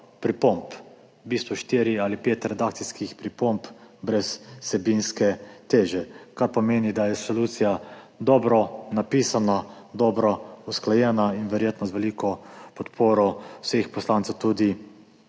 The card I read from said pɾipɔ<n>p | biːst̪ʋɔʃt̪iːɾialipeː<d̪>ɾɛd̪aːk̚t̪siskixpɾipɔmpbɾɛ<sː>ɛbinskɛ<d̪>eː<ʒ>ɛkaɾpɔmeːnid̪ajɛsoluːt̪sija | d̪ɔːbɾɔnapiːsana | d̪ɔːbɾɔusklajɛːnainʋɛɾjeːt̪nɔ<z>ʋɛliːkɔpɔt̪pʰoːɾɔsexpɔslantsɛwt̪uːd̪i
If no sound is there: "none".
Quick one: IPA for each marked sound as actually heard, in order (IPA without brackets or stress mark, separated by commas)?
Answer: m, t̪, sː, t̪, ʒ, z